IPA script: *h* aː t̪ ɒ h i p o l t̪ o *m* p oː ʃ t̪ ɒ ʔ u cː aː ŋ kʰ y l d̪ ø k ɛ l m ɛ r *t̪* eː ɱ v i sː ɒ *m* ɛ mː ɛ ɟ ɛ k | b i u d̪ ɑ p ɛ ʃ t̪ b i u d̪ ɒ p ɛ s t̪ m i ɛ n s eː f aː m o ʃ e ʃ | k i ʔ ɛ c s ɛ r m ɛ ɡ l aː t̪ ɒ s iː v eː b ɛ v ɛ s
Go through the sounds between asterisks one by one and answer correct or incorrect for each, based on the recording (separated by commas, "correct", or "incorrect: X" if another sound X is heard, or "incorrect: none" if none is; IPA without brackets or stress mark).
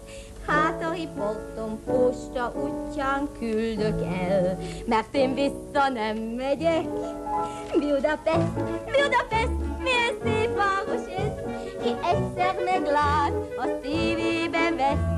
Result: correct, correct, correct, incorrect: n